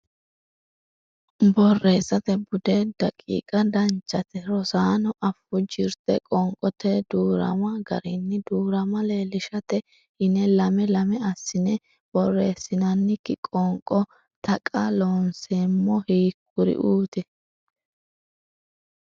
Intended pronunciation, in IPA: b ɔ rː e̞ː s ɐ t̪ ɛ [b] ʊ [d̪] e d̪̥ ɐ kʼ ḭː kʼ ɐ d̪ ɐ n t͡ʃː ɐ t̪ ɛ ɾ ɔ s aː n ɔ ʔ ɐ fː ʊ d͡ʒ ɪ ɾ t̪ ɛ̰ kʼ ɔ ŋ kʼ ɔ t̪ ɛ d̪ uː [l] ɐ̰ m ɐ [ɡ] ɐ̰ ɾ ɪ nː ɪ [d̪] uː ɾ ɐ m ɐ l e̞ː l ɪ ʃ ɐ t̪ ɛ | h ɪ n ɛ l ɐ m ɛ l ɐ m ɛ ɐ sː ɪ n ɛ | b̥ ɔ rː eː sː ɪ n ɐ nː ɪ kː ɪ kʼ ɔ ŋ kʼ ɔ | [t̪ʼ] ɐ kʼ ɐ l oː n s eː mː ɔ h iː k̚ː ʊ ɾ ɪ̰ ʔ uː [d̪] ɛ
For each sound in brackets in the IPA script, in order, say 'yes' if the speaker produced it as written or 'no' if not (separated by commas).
yes, yes, no, yes, yes, no, no